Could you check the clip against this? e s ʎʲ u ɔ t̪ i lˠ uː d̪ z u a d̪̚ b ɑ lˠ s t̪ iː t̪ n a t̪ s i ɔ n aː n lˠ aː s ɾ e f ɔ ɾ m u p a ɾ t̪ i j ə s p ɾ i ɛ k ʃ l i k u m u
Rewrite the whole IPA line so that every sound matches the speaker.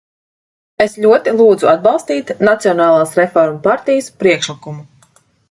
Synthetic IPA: e s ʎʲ u ɔ t̪ i lˠ uː d̪ z u a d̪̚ b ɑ lˠ s t̪ iː t̪ n a t̪ s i ɔ n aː lˠ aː s ɾ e f ɔ ɾ m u p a ɾ t̪ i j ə s p ɾ i ɛ k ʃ l i k u m u

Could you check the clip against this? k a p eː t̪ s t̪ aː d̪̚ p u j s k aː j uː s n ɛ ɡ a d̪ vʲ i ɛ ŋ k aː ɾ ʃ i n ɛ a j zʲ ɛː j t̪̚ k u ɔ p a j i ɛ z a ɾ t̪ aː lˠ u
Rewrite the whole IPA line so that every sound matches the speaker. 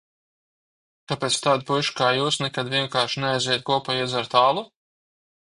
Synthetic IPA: k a p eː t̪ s t̪ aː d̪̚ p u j ʃ k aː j uː s n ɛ k a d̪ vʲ i ɛ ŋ k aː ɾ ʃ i n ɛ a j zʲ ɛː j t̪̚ k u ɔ p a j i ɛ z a ɾ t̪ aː lˠ u

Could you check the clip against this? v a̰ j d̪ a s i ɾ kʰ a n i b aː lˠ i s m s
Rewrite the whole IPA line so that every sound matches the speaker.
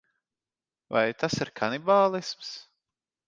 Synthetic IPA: v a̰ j t̪ a s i ɾ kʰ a n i b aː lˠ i s m s

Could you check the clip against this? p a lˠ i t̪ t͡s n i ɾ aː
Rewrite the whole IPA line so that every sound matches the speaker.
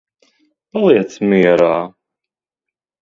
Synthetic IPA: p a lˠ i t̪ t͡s m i ɾ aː

